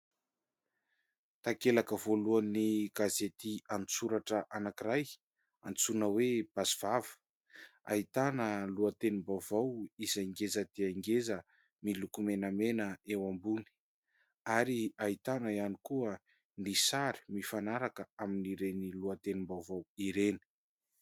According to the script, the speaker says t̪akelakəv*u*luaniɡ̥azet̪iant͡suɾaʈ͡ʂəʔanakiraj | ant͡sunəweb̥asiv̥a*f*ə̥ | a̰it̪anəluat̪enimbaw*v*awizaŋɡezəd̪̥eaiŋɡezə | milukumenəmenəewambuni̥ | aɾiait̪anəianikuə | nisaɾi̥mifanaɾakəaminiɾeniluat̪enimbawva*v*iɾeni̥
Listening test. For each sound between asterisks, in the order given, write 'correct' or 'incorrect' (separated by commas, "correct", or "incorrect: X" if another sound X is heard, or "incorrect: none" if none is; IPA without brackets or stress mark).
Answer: incorrect: o, incorrect: v, correct, incorrect: w